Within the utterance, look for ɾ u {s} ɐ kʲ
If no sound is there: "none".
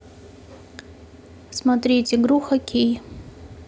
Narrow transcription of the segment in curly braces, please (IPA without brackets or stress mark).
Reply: x